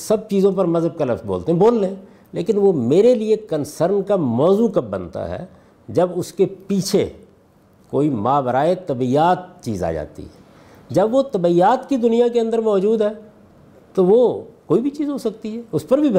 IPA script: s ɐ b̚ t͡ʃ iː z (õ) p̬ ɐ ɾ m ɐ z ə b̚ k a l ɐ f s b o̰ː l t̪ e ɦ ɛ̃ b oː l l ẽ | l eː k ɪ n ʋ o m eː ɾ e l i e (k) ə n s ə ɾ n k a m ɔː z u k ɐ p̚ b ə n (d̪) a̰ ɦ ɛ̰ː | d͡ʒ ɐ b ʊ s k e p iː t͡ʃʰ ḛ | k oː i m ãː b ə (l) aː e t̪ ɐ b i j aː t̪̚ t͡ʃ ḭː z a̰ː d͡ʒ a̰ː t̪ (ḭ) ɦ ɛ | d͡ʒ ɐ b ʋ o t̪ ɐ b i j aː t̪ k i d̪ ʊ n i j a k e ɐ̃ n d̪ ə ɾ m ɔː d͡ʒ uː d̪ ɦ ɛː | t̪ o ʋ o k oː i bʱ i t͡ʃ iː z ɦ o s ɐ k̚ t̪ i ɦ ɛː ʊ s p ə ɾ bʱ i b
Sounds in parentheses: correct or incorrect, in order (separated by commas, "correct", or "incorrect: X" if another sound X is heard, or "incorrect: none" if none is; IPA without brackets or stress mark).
correct, correct, incorrect: t̪, incorrect: ɾ, correct